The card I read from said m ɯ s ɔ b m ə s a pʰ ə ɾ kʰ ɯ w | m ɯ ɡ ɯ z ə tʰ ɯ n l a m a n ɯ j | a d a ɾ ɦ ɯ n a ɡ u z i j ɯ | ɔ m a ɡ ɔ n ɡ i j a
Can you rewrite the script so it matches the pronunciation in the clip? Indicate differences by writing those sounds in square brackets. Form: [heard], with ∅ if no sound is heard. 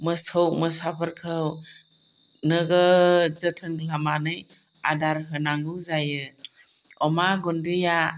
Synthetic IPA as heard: m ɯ s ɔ [w] m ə s a pʰ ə ɾ kʰ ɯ w | [n] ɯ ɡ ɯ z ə tʰ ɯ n l a m a n ɯ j | a d a ɾ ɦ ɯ n a [ŋ] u z [a] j ɯ | ɔ m a ɡ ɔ n [d] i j a